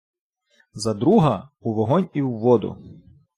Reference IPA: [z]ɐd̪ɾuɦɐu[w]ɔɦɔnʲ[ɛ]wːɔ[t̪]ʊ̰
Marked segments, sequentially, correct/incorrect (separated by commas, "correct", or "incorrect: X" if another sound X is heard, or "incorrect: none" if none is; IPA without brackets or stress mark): correct, incorrect: ʋ, incorrect: i, incorrect: d̪